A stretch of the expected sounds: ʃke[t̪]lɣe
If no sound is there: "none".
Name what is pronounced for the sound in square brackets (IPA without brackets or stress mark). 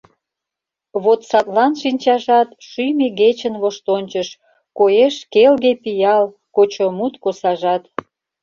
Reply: none